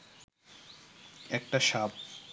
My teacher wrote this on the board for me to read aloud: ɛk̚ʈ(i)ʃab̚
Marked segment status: incorrect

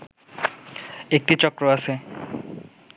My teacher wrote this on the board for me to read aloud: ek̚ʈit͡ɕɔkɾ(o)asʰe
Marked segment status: correct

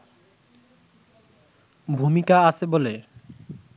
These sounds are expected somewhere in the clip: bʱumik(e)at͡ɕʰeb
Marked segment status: incorrect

